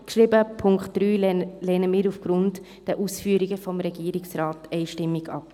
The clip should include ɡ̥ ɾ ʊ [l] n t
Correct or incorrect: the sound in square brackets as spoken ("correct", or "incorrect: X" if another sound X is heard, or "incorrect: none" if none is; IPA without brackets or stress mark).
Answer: incorrect: none